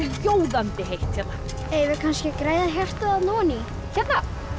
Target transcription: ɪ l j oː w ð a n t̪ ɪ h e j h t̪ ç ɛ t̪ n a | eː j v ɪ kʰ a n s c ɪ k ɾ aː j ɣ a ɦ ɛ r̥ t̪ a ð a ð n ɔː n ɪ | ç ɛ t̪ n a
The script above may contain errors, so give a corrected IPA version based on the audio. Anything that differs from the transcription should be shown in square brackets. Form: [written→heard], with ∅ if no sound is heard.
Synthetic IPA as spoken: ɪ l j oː w ð a n t̪ ɪ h e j h t̪ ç ɛ t̪ n a | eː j v ɪ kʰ a n s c ɪ k ɾ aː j [ɣ→ð] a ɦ ɛ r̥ t̪ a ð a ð n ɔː n [ɪ→i] | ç ɛ t̪ n a

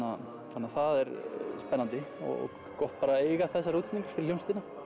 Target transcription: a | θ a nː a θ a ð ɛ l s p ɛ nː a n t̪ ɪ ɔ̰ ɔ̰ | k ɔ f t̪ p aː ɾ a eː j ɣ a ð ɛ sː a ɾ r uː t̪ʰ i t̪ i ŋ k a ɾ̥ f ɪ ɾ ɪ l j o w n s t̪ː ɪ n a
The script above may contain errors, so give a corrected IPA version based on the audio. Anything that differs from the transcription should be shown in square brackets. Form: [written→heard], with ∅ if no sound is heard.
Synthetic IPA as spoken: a | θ a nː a θ a ð ɛ [l→ɾ] s p ɛ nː a n t̪ ɪ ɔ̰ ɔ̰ | k ɔ [f→h] t̪ p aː ɾ a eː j ɣ a [ð→θ] ɛ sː a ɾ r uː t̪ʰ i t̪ i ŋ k a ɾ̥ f ɪ ɾ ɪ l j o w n s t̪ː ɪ n a

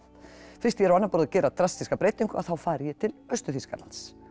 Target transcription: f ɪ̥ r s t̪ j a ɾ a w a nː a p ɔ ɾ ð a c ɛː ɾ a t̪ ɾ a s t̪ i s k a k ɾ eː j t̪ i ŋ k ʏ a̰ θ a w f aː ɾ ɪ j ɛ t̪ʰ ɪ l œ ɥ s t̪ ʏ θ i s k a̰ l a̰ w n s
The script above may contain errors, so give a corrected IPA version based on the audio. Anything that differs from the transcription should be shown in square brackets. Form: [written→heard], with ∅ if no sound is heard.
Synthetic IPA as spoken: f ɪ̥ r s t̪ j [a→ɛ] ɾ a w a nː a p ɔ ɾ ð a c ɛː ɾ a t̪ ɾ a s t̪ i s k a [k→p] ɾ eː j t̪ i ŋ k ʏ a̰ θ a w f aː ɾ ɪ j ɛ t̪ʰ ɪ l œ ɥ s t̪ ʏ θ i s k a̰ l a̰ [w→∅] n s

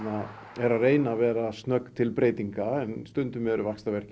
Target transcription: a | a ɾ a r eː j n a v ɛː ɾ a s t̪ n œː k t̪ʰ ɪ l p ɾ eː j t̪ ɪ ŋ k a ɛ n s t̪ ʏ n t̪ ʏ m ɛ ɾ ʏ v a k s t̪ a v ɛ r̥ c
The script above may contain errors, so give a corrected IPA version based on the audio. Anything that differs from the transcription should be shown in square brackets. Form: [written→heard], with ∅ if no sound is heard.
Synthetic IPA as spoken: a | [a→ɛ] ɾ a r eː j n a v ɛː ɾ a s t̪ n [œː→œ] k t̪ʰ ɪ l p ɾ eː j t̪ [ɪ→i] ŋ k a ɛ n s t̪ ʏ n t̪ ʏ m ɛ ɾ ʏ v a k s t̪ a v ɛ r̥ c

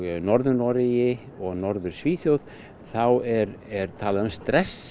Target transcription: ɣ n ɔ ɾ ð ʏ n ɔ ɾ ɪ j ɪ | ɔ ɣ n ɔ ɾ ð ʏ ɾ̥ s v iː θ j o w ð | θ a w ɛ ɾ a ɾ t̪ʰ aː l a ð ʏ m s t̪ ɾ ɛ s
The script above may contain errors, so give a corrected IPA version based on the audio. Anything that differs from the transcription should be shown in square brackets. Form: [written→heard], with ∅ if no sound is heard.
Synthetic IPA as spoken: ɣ n ɔ ɾ ð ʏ n ɔ ɾ ɪ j ɪ | ɔ ɣ n ɔ ɾ ð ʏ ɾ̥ s v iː θ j o w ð | θ a w ɛ ɾ [a→ɛ] ɾ t̪ʰ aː l a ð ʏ m s t̪ ɾ ɛ s

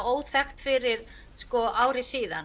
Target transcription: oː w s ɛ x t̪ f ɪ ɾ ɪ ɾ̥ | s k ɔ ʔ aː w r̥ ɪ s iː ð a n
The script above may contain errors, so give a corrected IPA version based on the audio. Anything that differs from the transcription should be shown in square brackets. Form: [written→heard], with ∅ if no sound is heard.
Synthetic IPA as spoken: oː w [s→θ] ɛ x t̪ f ɪ ɾ ɪ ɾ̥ | s k ɔ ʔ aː w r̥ ɪ s iː ð a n

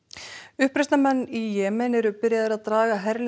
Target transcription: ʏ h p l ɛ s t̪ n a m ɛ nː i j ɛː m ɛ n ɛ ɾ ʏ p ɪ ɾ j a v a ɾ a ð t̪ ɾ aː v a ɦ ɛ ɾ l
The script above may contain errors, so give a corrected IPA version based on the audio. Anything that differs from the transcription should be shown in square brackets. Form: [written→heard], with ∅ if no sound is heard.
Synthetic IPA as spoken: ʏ h p [l→ɾ] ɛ s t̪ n a m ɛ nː i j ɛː m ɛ n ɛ ɾ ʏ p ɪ ɾ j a [v→ð] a ɾ a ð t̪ ɾ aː [v→ɣ] a ɦ ɛ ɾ l

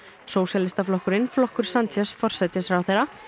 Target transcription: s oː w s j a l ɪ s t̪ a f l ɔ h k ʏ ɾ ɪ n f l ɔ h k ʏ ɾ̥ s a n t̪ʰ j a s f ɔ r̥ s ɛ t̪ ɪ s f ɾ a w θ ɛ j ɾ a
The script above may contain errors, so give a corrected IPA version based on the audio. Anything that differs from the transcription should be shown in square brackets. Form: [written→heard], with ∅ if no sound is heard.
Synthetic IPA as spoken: s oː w s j a l ɪ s t̪ a f l ɔ h k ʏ ɾ ɪ n f l ɔ h k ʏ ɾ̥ s a n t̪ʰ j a s f ɔ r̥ s ɛ t̪ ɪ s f ɾ a w θ [ɛ→e] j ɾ a

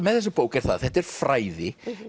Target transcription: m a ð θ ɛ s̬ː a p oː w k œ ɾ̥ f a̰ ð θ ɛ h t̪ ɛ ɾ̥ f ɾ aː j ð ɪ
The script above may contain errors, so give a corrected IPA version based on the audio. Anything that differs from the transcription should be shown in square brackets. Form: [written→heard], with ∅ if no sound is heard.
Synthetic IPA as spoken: m [a→ɛ] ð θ ɛ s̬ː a p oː w k [œ→ɛ] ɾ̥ [f→θ] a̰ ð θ ɛ h t̪ ɛ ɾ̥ f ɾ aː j ð ɪ

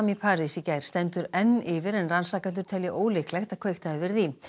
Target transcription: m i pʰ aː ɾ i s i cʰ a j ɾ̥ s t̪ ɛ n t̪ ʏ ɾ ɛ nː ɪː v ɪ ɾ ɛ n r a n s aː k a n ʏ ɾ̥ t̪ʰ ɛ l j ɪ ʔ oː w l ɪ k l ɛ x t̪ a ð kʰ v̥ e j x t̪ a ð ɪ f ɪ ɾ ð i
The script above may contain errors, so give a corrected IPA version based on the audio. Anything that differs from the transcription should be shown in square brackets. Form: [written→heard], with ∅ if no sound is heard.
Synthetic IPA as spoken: m i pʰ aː ɾ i s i [cʰ→c] a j ɾ̥ s t̪ ɛ n t̪ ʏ ɾ ɛ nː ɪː v ɪ ɾ ɛ n r a n s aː k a n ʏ ɾ̥ t̪ʰ ɛ l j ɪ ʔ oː w l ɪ k l ɛ x t̪ a ð kʰ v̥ e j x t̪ a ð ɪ [f→v] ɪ ɾ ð i

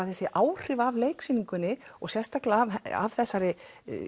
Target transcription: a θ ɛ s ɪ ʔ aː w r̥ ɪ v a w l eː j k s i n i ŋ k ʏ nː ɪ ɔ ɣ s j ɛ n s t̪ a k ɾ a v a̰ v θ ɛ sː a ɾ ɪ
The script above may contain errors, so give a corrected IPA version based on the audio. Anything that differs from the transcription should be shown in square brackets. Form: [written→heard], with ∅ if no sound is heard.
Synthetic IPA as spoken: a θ ɛ s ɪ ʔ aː w r̥ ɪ v a [w→v] l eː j k s i n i ŋ k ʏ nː ɪ ɔ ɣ s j ɛ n s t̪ a k [ɾ→l] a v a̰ v θ ɛ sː a ɾ ɪ

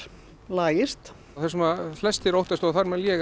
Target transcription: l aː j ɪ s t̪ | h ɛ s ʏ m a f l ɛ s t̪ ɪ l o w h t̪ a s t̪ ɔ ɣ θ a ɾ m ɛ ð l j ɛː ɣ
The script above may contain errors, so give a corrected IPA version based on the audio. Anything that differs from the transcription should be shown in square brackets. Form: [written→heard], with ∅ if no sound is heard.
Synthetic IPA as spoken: l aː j ɪ s t̪ | [h→θ] ɛ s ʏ m a f l ɛ s t̪ ɪ [l→ɾ] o w h t̪ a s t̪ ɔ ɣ θ a ɾ m ɛ ð l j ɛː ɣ

